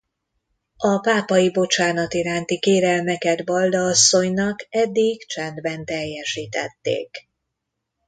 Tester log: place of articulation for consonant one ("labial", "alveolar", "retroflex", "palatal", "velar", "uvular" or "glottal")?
labial